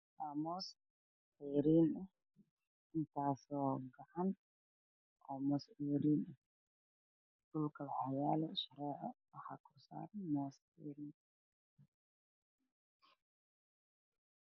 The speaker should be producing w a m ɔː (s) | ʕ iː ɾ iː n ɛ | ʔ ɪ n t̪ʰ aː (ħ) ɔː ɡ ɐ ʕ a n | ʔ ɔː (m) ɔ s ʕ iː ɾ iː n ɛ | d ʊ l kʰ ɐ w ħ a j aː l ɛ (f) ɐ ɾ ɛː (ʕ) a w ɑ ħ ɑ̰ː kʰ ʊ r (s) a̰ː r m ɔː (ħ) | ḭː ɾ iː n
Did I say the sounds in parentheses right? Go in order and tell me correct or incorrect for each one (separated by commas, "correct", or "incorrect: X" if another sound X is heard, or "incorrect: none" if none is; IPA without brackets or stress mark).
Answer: correct, incorrect: s, correct, incorrect: ʃ, correct, correct, incorrect: s